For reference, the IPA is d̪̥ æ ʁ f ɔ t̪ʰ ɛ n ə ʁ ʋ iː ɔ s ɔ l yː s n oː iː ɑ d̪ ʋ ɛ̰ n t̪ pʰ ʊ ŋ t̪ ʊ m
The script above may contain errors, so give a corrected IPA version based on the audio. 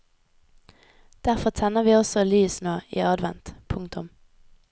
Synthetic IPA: d̪̥ æ ʁ f ɔ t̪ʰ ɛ n ə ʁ ʋ iː ɔ s ɔ l yː s n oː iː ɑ d̪ ʋ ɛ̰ n t̪ pʰ ʊ ŋ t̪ ʊ m